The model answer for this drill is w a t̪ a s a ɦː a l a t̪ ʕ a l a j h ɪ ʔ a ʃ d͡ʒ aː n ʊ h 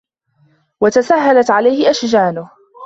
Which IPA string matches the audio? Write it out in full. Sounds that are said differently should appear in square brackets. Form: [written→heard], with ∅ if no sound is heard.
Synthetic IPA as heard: w a t̪ a s a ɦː a l a t̪ ʕ a l a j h ɪ ʔ a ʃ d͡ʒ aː n ʊ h